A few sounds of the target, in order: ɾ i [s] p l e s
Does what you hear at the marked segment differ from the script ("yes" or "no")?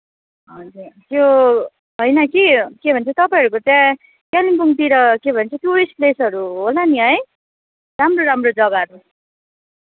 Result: no